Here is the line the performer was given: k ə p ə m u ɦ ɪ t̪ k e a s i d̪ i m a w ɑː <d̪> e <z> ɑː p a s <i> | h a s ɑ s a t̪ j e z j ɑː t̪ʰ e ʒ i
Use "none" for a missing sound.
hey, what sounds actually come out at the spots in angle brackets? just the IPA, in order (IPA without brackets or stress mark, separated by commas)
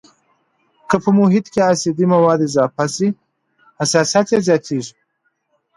d̪, z, i